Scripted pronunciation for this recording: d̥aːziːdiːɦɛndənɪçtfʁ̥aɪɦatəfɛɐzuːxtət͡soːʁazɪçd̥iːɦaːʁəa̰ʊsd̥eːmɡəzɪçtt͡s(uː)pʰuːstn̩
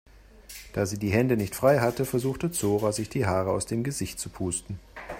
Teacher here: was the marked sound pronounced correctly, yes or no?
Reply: no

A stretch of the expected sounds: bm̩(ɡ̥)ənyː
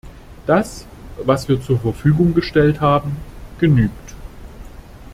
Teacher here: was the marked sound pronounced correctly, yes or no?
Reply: yes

